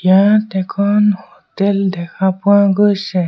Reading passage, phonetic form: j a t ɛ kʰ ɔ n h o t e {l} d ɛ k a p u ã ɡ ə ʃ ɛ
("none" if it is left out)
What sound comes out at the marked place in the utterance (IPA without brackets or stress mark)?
l